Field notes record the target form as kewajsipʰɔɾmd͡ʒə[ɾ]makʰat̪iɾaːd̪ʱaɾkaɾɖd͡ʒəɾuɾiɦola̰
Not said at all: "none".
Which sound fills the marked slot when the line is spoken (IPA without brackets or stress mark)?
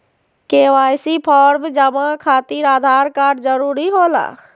none